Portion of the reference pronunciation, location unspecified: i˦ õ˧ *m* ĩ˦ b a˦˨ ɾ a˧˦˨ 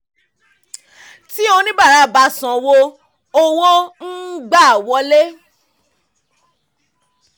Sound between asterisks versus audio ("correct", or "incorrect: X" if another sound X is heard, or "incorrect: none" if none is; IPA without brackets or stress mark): incorrect: n